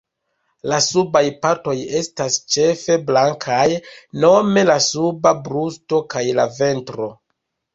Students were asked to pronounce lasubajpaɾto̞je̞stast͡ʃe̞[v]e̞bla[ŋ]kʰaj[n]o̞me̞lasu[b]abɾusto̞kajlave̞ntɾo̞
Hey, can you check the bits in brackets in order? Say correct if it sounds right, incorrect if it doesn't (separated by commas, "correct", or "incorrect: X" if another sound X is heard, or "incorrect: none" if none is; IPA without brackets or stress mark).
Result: incorrect: f, correct, correct, correct